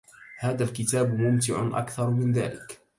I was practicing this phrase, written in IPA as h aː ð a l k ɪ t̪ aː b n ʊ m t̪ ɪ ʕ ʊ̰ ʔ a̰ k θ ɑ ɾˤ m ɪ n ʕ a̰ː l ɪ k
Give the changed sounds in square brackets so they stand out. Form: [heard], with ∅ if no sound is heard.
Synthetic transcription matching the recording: h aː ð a l k ɪ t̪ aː b [m] ʊ m t̪ ɪ ʕ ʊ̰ ʔ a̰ k θ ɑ ɾˤ m ɪ n [ð] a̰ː l ɪ k

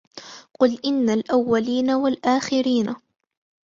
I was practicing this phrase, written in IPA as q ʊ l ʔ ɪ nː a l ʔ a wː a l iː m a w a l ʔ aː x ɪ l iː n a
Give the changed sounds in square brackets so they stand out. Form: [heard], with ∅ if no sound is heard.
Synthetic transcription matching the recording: q ʊ l ʔ ɪ nː a l ʔ a wː a l iː [n] a w a l ʔ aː x ɪ [ɾ] iː n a

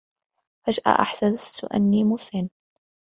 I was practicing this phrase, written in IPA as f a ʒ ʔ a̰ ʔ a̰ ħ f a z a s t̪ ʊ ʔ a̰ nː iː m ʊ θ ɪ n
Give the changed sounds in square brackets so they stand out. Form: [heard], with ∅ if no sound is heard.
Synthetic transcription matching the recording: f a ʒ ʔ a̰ ʔ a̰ ħ [s] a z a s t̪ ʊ ʔ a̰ nː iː m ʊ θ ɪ n

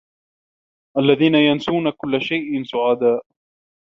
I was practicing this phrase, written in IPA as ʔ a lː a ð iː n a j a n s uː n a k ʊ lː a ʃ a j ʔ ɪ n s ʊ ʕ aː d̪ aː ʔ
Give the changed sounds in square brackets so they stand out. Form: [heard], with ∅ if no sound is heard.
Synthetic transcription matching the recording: ʔ a lː a ð iː n a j a n s uː n a k ʊ lː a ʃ a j ʔ ɪ n s ʊ ʕ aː d̪ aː ʔ

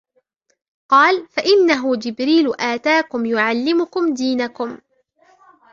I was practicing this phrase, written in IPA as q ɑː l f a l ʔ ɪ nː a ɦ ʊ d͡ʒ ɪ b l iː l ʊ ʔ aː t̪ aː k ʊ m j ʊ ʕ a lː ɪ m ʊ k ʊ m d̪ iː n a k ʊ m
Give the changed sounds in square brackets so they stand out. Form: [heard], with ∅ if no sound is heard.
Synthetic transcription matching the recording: q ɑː l f a [∅] ʔ ɪ nː a ɦ ʊ d͡ʒ ɪ b [ɾ] iː l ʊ ʔ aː t̪ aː k ʊ m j ʊ ʕ a lː ɪ m ʊ k ʊ m d̪ iː n a k ʊ m

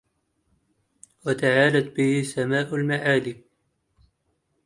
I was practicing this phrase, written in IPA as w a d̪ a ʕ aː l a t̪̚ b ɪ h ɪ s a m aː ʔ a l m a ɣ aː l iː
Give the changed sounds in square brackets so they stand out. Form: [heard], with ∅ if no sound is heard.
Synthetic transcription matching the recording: w a [t̪] a ʕ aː l a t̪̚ b ɪ h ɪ s a m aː ʔ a l m a [ʕ] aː l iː

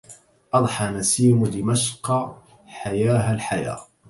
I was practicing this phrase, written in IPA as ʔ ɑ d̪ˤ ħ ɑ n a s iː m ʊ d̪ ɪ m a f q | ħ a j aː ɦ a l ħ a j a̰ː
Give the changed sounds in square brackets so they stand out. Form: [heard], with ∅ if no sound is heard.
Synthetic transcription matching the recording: ʔ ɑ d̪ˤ ħ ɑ n a s iː m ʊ d̪ ɪ m a [ʃ] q | ħ a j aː ɦ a l ħ a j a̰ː

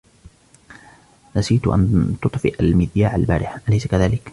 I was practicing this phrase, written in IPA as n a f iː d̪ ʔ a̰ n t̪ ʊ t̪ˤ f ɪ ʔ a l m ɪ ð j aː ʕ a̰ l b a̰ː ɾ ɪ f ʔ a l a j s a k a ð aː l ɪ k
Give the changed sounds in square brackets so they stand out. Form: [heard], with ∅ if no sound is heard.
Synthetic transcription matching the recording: n a [s] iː [t̪] ʔ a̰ n t̪ ʊ t̪ˤ f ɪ ʔ a l m ɪ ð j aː ʕ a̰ l b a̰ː ɾ ɪ [ħ] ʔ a l a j s a k a ð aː l ɪ k

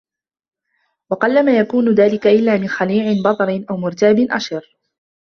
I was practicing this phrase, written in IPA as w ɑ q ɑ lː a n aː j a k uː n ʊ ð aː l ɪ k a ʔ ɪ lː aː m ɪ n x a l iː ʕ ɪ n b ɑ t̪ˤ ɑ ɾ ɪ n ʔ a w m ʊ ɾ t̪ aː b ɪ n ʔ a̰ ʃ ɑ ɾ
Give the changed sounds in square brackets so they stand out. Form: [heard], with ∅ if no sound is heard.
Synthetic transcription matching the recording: w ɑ q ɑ lː a [m] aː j a k uː n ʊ ð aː l ɪ k a ʔ ɪ lː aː m ɪ n x a l iː ʕ ɪ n b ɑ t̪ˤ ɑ ɾ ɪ n ʔ a w m ʊ ɾ t̪ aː b ɪ n ʔ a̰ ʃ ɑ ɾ

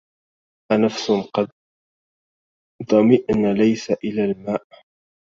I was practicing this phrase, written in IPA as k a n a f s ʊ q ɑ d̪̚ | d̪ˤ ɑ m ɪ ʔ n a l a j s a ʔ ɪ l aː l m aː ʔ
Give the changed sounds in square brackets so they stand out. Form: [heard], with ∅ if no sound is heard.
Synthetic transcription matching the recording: [ʔ] a n a f s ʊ q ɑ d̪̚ | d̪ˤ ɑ m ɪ ʔ n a l a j s a ʔ ɪ l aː l m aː ʔ

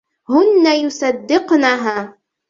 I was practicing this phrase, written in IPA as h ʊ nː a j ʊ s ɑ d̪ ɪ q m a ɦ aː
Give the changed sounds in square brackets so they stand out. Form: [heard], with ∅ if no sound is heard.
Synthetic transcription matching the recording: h ʊ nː a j ʊ s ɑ [d̪ː] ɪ q [n] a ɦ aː

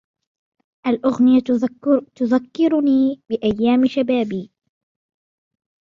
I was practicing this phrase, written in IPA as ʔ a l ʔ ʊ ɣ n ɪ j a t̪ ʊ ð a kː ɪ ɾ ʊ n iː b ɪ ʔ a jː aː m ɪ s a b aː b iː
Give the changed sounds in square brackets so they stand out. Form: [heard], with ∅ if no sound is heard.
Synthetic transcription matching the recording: ʔ a l ʔ ʊ ɣ n ɪ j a t̪ ʊ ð a kː ɪ ɾ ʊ n iː b ɪ ʔ a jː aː m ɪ [ʃ] a b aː b iː

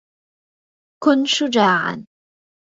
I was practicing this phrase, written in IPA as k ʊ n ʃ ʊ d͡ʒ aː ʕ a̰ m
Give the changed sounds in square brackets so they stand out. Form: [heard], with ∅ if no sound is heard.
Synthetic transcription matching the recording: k ʊ n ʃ ʊ d͡ʒ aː ʕ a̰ [n]

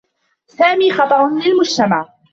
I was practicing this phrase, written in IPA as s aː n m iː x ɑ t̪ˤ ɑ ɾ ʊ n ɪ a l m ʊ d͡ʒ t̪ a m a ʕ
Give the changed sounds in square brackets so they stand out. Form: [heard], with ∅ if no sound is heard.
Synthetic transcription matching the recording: s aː [∅] m iː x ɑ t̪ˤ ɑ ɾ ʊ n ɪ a l m ʊ d͡ʒ t̪ a m a ʕ

